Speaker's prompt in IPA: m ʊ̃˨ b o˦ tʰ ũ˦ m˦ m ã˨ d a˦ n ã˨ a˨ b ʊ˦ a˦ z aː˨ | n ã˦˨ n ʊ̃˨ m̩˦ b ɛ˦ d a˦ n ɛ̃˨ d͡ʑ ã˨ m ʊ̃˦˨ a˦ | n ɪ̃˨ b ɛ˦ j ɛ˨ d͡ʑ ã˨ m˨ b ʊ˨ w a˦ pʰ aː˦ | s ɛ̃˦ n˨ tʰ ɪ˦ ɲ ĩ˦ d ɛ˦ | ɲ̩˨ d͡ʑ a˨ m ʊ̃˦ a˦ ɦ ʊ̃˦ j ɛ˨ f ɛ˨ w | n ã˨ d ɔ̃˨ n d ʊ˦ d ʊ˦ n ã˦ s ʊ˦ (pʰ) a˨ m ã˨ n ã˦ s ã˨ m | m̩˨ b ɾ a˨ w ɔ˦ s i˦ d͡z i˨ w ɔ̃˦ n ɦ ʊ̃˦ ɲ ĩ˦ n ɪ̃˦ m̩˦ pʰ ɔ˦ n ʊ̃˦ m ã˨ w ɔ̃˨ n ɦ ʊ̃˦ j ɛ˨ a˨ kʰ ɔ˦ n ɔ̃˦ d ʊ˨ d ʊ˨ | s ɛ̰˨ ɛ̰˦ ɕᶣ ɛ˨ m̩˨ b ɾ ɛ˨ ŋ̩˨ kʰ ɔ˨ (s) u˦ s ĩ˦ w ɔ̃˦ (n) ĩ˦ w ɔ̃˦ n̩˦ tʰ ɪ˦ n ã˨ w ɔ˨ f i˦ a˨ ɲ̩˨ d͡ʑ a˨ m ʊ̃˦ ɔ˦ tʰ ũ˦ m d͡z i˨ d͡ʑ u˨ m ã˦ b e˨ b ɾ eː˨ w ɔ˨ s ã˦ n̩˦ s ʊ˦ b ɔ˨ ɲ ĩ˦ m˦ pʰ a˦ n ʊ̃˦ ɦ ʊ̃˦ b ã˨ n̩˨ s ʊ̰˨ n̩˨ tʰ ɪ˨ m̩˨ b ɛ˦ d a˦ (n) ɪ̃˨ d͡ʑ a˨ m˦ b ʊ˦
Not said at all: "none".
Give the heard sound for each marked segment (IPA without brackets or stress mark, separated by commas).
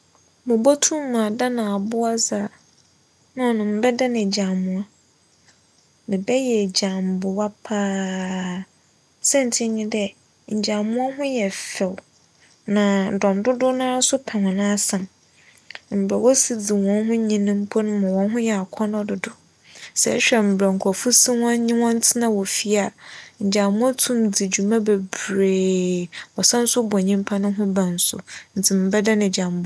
pʰ, f, ɲ, n